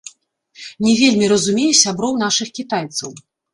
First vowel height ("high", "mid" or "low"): mid